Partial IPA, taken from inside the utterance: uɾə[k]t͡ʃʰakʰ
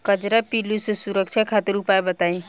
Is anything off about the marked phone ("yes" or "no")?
no